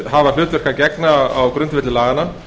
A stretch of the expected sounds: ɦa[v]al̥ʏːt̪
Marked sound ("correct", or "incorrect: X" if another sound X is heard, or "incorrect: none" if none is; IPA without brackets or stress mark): correct